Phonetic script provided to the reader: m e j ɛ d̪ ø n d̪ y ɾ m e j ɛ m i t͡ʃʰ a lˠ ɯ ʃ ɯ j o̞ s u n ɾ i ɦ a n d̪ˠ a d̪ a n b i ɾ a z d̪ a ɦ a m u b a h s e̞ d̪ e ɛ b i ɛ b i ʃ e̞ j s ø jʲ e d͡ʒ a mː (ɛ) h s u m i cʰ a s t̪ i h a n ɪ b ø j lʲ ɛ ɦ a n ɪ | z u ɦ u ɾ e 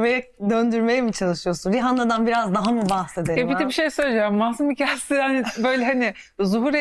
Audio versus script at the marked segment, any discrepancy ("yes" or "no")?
yes